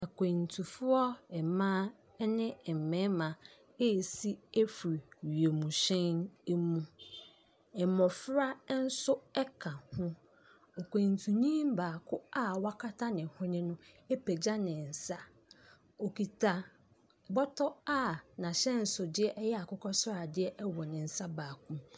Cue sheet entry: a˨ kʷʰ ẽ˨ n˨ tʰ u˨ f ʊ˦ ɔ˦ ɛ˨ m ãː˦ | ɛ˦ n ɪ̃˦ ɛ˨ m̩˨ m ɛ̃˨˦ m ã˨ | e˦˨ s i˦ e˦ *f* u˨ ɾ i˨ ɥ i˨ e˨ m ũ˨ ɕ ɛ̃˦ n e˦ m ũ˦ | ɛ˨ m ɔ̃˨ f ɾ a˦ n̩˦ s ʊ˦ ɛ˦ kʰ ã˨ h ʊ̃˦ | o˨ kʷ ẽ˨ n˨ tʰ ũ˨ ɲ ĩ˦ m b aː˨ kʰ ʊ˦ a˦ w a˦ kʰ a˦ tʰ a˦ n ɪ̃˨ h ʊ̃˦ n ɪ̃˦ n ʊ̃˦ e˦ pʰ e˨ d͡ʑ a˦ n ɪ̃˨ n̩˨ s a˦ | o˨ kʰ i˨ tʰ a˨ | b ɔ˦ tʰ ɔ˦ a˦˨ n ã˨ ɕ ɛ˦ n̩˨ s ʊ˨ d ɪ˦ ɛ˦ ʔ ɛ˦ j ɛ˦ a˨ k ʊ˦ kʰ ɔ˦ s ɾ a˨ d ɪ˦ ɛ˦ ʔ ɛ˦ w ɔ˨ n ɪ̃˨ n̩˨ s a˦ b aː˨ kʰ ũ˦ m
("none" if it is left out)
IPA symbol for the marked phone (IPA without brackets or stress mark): f